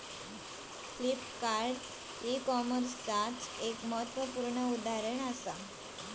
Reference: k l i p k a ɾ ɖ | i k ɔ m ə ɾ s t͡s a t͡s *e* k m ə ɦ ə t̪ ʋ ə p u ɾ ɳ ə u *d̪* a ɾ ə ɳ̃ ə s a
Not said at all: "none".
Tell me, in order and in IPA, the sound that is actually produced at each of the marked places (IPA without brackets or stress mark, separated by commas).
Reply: e, d̪